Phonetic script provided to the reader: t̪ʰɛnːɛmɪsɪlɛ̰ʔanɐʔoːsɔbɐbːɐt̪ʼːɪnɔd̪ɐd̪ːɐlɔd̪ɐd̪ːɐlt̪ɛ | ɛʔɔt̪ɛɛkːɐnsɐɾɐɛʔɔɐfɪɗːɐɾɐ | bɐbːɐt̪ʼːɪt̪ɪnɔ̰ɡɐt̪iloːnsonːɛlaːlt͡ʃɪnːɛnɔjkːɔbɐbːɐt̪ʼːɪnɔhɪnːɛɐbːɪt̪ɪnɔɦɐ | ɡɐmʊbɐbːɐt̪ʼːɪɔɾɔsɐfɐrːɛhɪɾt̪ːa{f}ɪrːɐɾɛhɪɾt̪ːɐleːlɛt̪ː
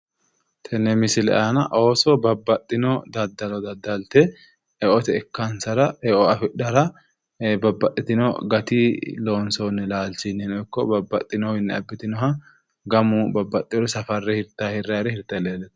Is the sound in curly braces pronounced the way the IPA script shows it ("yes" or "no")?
no